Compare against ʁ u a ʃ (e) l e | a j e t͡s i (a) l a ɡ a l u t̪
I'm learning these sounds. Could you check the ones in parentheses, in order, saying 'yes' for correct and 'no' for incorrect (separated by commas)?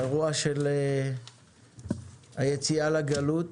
yes, yes